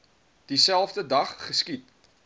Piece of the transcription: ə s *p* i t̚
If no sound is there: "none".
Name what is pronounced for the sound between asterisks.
k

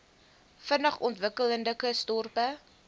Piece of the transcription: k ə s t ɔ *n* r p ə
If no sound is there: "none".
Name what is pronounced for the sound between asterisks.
none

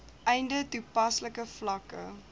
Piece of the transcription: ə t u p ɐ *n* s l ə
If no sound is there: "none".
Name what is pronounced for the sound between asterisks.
none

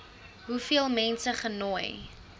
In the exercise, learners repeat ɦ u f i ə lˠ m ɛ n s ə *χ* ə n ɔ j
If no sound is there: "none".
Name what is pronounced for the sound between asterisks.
χ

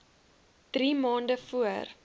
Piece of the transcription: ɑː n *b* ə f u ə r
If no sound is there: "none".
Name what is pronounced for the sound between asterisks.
d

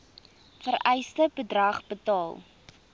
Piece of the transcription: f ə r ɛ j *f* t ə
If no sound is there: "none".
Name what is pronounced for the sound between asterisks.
s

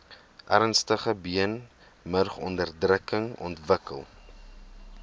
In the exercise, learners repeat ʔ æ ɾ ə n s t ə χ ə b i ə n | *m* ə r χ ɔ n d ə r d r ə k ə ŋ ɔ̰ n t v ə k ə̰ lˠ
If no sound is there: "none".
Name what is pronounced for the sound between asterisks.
m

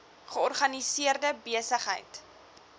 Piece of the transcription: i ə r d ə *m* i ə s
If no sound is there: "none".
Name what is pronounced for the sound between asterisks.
b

